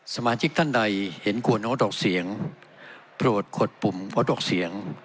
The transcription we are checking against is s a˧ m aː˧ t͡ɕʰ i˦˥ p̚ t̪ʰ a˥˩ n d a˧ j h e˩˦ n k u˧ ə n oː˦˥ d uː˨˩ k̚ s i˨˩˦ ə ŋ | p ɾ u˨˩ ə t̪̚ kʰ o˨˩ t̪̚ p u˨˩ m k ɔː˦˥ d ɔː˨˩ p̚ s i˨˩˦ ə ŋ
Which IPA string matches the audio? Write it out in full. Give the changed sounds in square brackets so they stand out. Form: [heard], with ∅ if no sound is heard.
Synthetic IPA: s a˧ m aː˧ t͡ɕʰ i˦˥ [k̚] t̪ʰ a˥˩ n d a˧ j h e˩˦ n k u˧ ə n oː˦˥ d [ɔː˨˩] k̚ s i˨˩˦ ə ŋ | p ɾ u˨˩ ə t̪̚ kʰ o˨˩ t̪̚ p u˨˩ m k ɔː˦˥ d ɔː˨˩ [k̚] s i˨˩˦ ə ŋ